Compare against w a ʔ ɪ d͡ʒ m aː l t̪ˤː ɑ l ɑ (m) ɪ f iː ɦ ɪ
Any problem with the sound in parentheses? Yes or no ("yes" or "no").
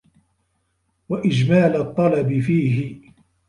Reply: yes